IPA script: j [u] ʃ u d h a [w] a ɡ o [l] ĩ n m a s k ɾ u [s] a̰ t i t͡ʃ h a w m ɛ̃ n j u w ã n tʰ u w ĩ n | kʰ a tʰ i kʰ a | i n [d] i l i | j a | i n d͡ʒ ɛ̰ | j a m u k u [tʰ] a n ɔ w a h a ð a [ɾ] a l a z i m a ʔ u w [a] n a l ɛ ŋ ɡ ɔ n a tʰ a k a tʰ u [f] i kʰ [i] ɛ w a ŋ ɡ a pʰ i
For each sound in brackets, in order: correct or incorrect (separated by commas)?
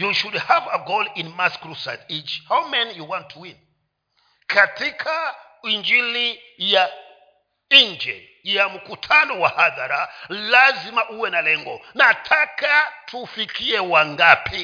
correct, incorrect, correct, correct, incorrect, correct, correct, incorrect, correct, correct